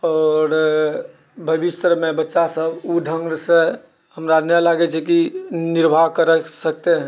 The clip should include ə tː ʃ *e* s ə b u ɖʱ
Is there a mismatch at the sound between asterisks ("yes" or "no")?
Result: yes